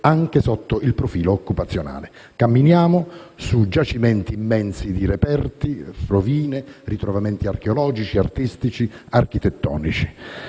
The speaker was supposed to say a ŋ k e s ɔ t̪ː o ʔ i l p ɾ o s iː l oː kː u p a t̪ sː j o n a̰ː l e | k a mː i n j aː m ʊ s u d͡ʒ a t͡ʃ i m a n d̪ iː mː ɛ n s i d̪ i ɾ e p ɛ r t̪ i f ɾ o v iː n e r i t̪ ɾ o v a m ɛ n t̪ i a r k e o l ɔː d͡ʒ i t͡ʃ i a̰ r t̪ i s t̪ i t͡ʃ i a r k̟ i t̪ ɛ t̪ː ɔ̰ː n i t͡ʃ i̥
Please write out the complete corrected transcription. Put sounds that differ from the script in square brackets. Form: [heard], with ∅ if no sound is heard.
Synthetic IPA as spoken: a ŋ k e s ɔ t̪ː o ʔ i l p ɾ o [f] iː l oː kː u p a t̪ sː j o n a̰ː l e | k a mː i n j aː m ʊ s u d͡ʒ a t͡ʃ i m [ɛ] n [t̪] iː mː ɛ n s i d̪ i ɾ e p ɛ r t̪ i f ɾ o v iː n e r i t̪ ɾ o v a m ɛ n t̪ i a r k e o l ɔː d͡ʒ i t͡ʃ i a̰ r t̪ i s t̪ i t͡ʃ i a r k̟ i t̪ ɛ t̪ː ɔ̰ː n i t͡ʃ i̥